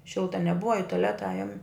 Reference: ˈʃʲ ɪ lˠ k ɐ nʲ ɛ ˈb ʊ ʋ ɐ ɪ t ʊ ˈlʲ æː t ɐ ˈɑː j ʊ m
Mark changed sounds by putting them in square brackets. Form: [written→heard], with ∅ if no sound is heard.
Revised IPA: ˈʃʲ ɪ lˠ [k→t] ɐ nʲ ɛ ˈb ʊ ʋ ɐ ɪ t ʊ ˈlʲ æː t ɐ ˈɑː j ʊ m